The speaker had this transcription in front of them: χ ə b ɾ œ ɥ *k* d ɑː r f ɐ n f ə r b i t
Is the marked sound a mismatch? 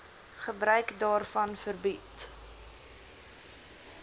no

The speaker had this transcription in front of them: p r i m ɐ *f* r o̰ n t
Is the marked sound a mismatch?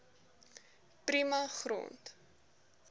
yes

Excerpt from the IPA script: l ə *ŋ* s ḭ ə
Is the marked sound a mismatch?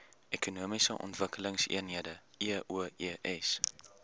no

